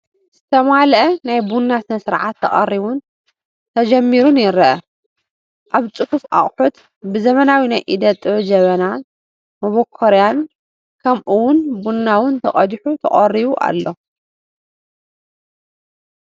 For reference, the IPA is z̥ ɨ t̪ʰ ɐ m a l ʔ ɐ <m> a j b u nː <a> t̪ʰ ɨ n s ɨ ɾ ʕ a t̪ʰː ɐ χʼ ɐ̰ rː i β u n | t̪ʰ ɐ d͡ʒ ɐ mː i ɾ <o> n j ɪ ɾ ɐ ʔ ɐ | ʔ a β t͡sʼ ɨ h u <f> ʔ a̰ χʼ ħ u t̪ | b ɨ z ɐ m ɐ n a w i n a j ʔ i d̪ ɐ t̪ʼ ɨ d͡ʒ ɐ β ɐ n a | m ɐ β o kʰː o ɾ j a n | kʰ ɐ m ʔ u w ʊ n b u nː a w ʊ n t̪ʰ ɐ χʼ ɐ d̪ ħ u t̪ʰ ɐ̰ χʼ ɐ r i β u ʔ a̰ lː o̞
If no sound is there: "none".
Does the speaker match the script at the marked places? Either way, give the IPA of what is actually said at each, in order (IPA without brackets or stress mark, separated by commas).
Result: n, a, u, f